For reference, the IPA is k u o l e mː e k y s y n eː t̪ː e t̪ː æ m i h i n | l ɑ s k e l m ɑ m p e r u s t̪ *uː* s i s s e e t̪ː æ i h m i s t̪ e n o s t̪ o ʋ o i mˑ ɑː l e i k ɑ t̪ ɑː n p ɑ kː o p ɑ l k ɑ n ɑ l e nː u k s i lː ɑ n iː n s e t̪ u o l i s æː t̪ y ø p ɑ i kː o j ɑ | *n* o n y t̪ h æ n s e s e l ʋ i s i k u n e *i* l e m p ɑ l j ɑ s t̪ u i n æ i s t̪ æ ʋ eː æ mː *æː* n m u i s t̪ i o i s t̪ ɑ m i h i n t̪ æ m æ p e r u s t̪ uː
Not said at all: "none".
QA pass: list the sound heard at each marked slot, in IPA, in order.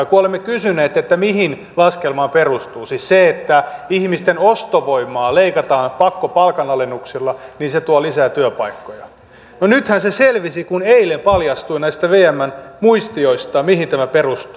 uː, n, i, æ

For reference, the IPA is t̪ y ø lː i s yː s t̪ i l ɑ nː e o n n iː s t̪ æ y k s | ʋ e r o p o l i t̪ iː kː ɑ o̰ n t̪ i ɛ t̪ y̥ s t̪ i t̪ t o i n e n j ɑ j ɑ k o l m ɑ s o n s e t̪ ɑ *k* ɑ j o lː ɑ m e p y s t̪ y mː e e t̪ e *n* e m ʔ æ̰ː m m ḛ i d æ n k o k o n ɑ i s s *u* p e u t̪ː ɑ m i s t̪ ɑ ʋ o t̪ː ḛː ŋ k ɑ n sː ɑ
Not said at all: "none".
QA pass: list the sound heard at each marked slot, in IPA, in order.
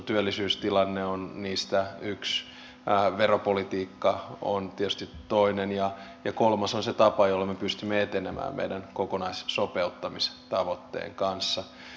p, n, o

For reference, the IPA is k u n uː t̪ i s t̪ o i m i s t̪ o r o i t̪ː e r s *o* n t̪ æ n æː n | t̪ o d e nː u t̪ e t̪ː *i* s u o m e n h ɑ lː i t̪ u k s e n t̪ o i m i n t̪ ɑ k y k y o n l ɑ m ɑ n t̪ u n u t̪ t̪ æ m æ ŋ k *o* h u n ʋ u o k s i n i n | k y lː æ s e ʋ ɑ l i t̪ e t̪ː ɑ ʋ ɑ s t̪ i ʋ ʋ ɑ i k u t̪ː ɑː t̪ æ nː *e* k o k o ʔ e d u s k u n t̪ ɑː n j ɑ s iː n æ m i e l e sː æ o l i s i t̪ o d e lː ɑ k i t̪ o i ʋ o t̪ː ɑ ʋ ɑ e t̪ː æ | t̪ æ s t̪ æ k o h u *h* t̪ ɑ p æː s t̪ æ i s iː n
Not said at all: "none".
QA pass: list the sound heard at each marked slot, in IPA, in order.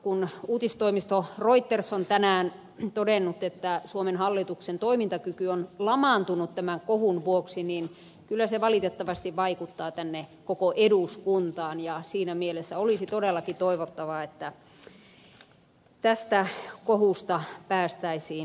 o, æ, o, e, s

